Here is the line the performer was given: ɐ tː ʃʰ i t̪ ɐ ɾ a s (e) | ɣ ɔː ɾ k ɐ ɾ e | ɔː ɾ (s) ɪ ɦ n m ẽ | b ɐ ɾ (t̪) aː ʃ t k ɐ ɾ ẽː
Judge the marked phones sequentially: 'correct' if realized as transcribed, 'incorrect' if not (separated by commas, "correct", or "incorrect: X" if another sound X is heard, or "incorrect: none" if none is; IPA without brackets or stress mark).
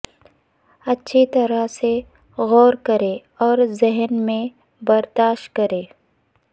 correct, incorrect: z, incorrect: d̪